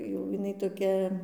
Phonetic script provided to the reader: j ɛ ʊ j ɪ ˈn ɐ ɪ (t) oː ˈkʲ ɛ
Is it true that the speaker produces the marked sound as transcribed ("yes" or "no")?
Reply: yes